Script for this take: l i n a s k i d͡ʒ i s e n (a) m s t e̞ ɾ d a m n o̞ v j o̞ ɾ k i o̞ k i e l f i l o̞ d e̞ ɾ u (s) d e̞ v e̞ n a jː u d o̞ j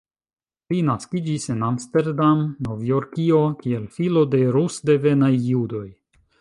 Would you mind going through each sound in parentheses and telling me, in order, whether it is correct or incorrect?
correct, correct

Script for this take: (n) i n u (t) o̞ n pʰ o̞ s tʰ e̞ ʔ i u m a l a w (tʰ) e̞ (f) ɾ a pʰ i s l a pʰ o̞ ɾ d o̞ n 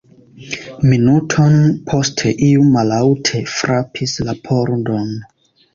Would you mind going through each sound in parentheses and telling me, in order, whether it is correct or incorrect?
incorrect, incorrect, correct, correct

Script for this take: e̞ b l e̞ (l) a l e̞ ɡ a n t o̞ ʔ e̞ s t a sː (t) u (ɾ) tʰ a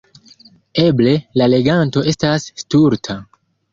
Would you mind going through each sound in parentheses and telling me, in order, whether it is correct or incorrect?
correct, correct, correct

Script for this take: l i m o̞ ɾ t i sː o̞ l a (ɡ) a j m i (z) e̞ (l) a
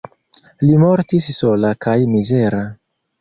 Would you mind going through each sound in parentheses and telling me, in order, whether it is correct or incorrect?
incorrect, correct, incorrect

